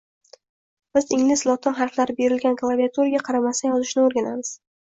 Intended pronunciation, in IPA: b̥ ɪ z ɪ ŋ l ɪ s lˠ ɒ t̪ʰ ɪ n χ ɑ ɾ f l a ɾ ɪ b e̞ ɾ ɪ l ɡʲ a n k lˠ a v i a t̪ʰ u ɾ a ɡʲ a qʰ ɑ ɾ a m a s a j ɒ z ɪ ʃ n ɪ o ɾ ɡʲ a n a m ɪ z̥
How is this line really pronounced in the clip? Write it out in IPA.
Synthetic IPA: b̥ ɪ z ɪ ŋ l ɪ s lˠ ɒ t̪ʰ ɪ n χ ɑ ɾ f l a ɾ ɪ b e̞ ɾ ɪ l ɡʲ a n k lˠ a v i a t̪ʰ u ɾ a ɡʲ a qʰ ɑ ɾ a m a s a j ɒ z ɪ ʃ n ɪ o ɾ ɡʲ a n a m ɪ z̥